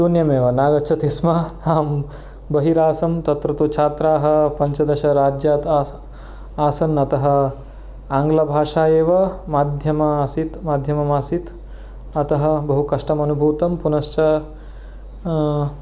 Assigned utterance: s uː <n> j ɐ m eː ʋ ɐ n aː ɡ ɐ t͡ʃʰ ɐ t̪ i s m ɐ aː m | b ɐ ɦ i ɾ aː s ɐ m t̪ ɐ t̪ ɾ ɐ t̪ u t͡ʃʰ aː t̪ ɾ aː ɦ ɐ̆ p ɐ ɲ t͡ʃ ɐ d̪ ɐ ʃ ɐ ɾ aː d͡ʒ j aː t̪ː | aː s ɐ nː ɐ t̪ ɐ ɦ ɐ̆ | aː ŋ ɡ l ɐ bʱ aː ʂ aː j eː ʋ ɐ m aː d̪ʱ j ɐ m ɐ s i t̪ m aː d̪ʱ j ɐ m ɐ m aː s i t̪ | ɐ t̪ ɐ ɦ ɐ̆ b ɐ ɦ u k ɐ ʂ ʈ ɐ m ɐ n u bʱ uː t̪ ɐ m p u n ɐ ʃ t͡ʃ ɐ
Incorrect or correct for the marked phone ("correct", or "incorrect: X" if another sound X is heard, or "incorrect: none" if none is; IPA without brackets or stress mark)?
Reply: correct